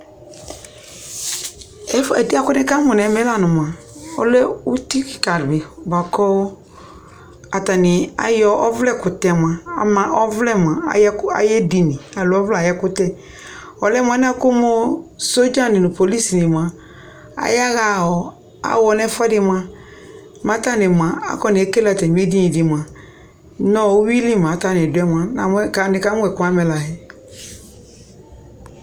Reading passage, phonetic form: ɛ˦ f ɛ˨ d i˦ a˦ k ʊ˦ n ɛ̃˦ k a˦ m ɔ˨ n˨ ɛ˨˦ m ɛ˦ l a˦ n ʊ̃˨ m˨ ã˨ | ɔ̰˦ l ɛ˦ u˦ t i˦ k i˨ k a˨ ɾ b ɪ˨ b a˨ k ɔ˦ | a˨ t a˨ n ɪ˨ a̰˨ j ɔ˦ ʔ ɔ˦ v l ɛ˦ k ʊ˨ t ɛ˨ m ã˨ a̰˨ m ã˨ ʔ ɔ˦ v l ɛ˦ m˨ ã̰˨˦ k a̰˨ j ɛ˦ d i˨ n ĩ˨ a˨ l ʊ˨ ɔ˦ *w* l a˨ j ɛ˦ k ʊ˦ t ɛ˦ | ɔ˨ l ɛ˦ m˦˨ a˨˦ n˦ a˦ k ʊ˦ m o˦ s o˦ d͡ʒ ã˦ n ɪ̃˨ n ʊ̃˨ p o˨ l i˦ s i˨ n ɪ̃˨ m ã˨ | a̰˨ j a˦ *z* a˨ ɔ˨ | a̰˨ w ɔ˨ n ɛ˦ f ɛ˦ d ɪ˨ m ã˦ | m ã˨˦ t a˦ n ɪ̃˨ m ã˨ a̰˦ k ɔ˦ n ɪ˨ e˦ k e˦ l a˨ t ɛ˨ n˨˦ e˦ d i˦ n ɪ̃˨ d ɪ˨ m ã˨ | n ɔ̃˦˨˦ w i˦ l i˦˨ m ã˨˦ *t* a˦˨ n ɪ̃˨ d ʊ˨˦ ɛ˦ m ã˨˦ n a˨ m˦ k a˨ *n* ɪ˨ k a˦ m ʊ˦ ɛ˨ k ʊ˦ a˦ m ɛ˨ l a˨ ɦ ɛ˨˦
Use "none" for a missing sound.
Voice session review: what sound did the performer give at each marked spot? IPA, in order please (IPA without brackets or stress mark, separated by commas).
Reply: v, ɣ, t, n